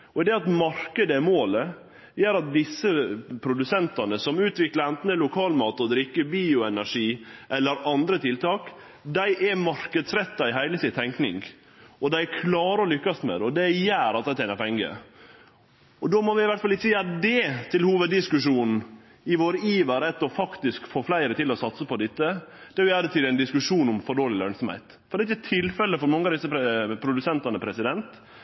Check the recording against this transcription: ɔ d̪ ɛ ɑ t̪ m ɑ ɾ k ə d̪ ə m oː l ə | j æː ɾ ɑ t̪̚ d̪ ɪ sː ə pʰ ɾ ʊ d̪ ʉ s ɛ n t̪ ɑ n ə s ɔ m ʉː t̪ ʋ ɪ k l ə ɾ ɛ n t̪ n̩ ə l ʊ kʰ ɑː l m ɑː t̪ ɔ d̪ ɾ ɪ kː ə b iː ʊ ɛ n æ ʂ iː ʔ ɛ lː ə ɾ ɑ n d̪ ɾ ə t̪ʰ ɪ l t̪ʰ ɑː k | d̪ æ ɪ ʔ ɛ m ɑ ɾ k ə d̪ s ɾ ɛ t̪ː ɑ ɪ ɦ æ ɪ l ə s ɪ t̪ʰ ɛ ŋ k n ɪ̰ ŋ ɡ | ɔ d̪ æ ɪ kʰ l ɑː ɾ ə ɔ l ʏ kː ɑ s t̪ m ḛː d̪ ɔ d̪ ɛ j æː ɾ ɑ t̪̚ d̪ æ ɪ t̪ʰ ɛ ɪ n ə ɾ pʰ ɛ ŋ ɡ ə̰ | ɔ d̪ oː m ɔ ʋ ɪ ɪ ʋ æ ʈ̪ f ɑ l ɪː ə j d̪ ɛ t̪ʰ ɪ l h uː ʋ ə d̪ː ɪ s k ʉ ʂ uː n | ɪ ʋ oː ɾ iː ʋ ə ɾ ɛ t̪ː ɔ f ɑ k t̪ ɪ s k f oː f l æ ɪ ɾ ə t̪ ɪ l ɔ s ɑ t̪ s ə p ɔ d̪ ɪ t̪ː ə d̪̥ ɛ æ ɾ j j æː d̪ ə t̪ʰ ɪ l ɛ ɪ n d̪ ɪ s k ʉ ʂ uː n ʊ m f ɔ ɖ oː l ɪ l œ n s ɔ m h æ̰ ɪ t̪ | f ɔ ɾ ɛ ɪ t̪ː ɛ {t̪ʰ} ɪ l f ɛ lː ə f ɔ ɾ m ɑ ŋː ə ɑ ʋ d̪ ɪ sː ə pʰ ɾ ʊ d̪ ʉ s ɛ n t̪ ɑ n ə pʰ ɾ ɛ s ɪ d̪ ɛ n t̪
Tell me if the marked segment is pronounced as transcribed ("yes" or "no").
yes